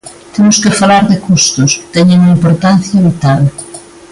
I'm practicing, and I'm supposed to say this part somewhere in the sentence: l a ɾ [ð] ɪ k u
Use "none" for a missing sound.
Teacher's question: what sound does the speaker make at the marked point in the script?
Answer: ð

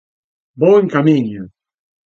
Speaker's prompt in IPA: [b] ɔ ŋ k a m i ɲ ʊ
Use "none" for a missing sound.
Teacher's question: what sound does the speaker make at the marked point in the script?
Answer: b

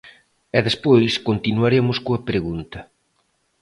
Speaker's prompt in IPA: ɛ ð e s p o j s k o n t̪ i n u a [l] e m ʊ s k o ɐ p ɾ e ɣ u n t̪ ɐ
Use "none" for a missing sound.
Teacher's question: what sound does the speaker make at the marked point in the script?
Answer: ɾ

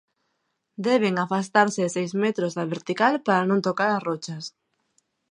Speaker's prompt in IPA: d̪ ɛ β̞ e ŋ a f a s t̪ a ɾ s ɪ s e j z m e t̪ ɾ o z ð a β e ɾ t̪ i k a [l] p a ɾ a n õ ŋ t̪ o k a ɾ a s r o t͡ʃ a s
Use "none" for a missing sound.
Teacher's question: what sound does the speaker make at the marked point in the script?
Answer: l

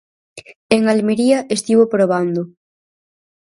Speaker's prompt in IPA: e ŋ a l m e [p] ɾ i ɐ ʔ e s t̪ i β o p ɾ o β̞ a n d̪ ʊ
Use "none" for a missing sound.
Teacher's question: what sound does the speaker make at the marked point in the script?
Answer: none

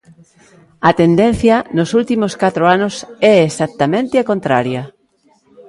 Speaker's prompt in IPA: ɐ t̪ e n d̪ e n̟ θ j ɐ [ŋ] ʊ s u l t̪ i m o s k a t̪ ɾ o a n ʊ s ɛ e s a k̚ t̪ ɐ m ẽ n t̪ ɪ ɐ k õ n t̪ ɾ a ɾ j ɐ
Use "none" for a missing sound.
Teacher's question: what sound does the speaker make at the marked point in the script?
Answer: n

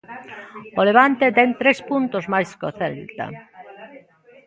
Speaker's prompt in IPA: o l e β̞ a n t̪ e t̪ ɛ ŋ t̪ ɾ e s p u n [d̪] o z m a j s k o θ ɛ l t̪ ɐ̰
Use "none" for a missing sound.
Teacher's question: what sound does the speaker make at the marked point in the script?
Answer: t̪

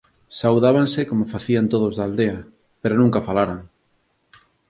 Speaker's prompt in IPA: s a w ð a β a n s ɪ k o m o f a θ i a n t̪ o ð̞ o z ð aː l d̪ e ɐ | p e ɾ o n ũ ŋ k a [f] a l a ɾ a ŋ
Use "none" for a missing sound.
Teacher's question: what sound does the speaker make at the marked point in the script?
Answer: f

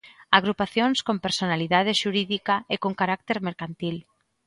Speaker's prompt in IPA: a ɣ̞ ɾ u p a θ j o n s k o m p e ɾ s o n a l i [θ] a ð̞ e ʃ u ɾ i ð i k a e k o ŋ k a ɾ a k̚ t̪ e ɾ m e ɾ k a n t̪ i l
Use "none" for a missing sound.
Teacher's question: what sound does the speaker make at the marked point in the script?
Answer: ð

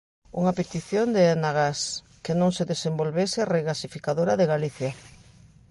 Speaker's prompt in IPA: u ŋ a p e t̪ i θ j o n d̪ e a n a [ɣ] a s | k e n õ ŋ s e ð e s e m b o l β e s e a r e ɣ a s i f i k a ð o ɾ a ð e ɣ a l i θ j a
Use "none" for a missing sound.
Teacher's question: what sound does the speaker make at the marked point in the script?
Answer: ɣ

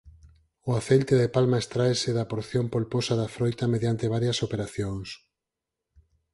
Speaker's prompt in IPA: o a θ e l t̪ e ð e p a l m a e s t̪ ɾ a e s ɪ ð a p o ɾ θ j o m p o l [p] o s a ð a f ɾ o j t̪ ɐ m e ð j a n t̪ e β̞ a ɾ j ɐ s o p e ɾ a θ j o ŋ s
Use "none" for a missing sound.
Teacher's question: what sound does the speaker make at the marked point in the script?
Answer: p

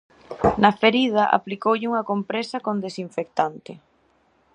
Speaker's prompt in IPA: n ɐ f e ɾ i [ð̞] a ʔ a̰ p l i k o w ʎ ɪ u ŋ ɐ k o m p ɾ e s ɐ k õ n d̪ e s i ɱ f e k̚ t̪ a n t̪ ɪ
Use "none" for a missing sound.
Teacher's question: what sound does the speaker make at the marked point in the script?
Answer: ð̞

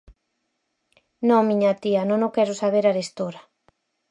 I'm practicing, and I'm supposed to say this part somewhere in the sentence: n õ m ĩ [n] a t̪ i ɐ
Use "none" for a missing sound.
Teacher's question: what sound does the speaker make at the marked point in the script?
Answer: ɲ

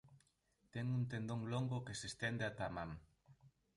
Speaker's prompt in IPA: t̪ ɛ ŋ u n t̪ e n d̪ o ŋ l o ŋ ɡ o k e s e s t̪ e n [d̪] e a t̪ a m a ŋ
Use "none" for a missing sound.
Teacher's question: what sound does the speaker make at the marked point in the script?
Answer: d̪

